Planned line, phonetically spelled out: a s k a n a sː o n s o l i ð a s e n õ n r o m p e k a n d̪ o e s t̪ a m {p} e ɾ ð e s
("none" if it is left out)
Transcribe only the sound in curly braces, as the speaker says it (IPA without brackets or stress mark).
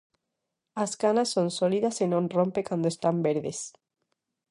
b